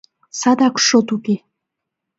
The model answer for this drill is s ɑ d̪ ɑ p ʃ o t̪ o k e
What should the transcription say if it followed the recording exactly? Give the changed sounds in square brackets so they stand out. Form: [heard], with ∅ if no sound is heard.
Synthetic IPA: s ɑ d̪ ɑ [k] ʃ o t̪ [u] k e